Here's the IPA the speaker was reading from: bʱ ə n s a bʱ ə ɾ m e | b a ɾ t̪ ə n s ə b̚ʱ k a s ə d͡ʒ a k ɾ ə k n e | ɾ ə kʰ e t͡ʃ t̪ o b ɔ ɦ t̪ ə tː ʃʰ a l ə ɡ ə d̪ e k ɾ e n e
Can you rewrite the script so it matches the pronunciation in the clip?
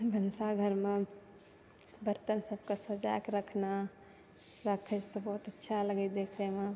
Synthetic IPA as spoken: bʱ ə n s a ɡʱ ə ɾ m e | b ə ɾ t̪ ə n s ə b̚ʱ k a s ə d͡ʒ a k ɾ ə kʰ n a | ɾ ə kʰ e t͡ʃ t̪ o b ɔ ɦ t̪ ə tː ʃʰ a l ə ɡ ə d̪ e kʰ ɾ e m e